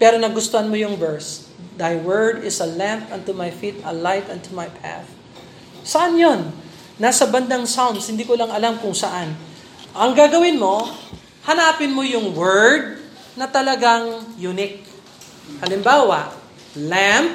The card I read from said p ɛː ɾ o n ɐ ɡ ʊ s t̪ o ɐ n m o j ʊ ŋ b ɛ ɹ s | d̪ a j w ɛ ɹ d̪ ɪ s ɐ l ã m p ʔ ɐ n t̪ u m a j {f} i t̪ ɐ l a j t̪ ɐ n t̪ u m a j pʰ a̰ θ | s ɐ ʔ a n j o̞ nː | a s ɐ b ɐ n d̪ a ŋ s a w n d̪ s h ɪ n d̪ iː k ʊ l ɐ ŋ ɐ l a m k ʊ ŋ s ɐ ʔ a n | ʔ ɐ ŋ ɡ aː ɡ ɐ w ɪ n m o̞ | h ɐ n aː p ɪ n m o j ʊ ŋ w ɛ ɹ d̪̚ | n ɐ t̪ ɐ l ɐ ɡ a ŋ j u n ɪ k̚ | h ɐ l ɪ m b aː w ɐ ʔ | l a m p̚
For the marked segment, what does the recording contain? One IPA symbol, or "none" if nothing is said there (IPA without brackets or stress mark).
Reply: f